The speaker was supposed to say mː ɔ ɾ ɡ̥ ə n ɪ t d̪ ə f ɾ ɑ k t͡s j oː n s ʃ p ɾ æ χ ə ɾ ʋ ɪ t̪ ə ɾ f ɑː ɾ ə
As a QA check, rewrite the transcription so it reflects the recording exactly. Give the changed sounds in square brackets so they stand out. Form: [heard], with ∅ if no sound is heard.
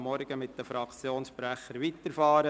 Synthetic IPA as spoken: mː ɔ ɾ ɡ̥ ə [m] ɪ t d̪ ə f ɾ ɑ k t͡s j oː n s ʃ p ɾ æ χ ə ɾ ʋ [i] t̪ ə ɾ f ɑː ɾ ə